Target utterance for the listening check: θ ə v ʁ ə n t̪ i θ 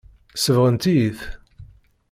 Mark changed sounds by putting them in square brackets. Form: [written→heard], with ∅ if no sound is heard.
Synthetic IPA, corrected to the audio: [θ→s] ə v ʁ ə n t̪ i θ